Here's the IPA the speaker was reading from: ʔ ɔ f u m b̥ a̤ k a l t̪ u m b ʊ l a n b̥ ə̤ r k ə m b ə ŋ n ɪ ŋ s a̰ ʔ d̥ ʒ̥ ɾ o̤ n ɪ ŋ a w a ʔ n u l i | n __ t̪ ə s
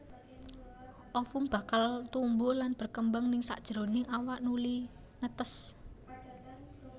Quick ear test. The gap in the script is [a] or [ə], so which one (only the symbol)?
ə